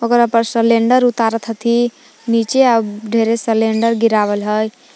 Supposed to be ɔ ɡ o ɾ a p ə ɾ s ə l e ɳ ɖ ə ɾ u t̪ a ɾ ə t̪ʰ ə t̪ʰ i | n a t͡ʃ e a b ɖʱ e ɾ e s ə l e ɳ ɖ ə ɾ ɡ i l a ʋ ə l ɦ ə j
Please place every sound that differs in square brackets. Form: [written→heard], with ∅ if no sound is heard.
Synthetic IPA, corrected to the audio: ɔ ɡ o ɾ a p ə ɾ s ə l e ɳ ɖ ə ɾ u t̪ a ɾ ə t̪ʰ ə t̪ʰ i | n [a→i] t͡ʃ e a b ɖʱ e ɾ e s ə l e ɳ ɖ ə ɾ ɡ i [l→ɾ] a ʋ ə l ɦ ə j